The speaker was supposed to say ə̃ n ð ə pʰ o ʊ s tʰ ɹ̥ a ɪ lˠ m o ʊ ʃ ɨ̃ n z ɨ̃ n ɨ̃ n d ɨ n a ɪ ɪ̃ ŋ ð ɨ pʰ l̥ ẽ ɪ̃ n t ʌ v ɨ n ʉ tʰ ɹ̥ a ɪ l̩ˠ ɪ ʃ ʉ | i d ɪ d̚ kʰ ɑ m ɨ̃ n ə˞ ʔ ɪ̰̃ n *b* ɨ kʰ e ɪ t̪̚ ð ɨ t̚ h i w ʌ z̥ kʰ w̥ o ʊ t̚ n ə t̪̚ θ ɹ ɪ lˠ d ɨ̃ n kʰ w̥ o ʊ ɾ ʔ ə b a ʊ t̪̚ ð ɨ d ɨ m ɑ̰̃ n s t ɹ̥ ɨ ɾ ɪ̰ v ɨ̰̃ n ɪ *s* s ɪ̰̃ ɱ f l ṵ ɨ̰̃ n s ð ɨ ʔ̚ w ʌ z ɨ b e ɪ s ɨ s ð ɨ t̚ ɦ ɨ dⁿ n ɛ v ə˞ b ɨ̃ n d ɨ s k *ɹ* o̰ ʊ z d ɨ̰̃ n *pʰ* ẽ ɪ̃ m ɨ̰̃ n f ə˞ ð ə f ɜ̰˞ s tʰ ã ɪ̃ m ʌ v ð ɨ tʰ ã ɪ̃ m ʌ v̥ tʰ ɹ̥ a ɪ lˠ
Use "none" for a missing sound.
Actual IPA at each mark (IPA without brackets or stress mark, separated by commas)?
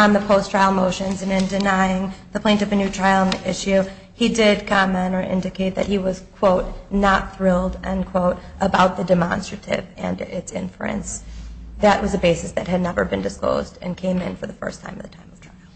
d, t, l, kʰ